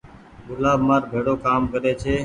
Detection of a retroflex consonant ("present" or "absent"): present